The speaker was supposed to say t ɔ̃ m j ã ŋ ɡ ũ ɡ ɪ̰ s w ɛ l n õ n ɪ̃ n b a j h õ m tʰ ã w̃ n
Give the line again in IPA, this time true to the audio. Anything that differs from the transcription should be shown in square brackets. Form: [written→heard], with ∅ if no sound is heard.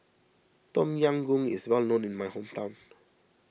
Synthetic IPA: t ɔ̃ m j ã ŋ ɡ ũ [ɡ→ŋ] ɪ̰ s w ɛ l n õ n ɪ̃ n [b→m] a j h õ m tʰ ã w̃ n